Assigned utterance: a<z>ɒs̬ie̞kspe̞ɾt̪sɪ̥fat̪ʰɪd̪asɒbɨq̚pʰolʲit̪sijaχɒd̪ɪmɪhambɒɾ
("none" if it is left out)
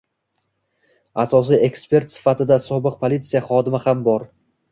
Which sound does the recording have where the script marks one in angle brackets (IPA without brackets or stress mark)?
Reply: s